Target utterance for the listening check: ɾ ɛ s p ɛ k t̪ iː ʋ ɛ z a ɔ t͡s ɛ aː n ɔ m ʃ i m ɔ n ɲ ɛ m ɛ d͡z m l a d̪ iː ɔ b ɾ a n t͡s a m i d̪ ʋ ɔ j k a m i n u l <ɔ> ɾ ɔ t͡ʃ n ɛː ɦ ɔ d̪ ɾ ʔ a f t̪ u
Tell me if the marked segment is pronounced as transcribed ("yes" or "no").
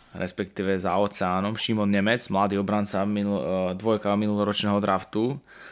yes